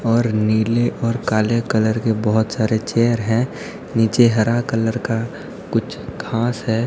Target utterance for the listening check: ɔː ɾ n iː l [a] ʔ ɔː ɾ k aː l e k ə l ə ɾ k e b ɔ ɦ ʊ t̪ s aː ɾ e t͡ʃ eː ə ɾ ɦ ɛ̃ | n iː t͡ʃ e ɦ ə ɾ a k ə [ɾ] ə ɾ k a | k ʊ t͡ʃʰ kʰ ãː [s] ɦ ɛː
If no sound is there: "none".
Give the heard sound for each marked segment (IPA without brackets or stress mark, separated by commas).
e, l, s